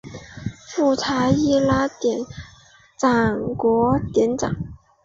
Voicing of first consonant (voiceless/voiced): voiceless